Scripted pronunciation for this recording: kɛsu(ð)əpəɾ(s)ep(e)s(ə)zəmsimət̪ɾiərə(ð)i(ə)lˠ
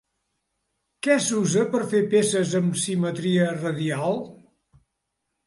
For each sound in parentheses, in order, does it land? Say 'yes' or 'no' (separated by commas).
no, no, yes, yes, yes, no